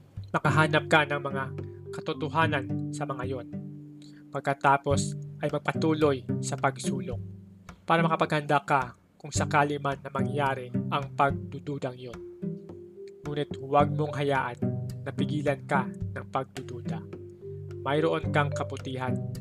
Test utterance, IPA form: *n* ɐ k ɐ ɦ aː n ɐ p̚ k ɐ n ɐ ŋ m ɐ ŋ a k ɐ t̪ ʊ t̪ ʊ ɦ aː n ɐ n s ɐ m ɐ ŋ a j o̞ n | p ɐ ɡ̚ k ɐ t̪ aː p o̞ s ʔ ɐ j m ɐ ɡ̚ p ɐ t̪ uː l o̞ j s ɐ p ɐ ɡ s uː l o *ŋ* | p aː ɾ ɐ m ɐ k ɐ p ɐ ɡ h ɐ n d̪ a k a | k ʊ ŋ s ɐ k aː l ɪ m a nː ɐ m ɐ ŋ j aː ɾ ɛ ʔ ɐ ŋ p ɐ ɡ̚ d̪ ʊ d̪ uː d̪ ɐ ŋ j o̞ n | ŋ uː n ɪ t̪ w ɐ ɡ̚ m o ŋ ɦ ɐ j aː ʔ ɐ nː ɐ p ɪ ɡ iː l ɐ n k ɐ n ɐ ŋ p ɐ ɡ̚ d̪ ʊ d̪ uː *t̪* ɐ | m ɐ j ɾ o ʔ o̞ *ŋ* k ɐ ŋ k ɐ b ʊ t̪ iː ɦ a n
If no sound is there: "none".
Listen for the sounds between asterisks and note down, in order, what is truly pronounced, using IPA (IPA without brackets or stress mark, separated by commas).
m, ŋ, d̪, n